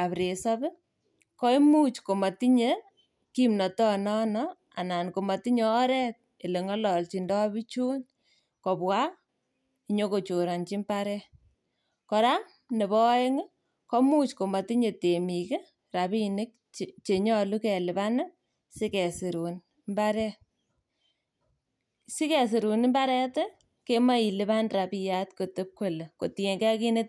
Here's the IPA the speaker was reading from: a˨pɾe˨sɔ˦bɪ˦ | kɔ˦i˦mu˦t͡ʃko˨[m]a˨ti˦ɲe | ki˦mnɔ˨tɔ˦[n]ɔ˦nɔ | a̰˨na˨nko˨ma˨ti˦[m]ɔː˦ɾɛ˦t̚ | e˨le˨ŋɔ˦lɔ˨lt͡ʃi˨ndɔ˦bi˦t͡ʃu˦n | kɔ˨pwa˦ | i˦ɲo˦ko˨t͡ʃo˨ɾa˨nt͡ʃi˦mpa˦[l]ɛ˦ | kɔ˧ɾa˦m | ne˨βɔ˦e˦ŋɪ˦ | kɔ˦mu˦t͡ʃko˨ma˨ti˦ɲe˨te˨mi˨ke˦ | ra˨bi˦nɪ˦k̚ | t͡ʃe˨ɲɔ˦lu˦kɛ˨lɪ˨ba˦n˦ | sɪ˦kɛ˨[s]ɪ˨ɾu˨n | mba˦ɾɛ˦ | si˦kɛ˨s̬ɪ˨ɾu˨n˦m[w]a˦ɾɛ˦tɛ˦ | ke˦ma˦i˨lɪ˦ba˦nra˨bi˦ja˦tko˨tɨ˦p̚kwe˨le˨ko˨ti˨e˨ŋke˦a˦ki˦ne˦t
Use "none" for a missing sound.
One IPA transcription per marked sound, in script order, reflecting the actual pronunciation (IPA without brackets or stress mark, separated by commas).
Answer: m, n, ɲ, ɾ, s, b